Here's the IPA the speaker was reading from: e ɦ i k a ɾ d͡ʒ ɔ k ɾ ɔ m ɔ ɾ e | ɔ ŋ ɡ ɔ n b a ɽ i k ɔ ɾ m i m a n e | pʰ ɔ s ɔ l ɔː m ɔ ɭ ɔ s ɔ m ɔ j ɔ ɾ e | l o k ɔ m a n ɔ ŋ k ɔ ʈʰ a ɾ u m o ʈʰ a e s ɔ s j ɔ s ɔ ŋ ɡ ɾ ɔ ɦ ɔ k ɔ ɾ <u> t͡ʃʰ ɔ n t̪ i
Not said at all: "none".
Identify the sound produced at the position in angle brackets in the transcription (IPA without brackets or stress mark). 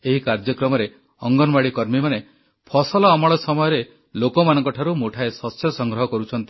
u